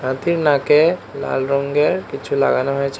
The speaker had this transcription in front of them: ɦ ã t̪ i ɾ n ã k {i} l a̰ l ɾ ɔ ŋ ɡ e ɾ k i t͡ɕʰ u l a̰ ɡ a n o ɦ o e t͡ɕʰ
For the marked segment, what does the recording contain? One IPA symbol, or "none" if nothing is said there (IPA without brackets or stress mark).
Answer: e